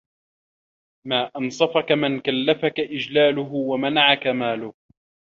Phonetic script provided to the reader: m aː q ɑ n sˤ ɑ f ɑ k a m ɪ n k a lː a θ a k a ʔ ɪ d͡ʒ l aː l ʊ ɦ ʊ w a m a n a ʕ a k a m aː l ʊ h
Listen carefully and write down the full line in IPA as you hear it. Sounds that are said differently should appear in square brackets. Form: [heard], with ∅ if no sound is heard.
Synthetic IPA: m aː [ʔ] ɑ n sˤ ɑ f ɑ k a m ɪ n k a lː a [f] a k a ʔ ɪ d͡ʒ l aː l ʊ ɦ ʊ w a m a n a ʕ a k a m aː l ʊ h